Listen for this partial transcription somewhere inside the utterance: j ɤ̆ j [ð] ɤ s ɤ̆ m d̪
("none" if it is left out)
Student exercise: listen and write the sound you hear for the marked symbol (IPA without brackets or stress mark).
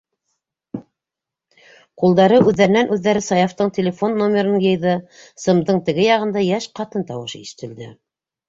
ð